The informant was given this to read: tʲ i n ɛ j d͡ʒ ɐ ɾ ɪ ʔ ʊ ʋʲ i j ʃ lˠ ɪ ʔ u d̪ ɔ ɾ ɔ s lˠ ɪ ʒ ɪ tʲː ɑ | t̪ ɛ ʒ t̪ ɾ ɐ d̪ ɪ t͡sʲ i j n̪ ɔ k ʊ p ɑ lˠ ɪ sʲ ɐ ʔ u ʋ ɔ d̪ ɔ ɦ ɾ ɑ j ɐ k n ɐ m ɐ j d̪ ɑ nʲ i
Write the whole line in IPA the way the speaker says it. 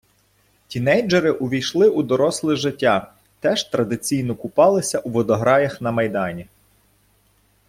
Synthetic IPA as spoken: tʲ i n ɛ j d͡ʒ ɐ ɾ ɪ ʔ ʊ ʋʲ i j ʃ lˠ ɪ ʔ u d̪ ɔ ɾ ɔ s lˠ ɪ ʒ ɪ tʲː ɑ | t̪ ɛ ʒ t̪ ɾ ɐ d̪ ɪ t͡sʲ i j n̪ ɔ k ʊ p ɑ lˠ ɪ sʲ ɐ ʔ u ʋ ɔ d̪ ɔ ɦ ɾ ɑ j ɐ x n ɐ m ɐ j d̪ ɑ nʲ i